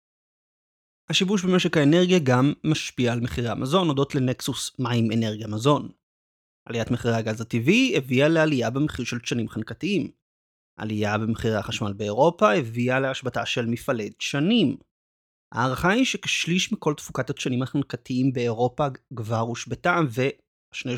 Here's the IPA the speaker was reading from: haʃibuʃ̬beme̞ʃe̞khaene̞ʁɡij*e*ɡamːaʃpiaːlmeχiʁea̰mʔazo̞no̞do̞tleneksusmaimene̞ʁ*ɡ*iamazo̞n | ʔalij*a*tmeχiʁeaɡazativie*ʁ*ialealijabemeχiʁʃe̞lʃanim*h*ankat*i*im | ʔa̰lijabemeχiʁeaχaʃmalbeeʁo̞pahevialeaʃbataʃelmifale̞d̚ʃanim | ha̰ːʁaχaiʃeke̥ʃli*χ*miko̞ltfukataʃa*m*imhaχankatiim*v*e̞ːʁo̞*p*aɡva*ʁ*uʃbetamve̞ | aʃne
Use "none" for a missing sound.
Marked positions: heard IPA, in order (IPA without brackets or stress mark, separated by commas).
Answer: a, ɡ, a, v, χ, i, ʃ, n, b, p, ʁ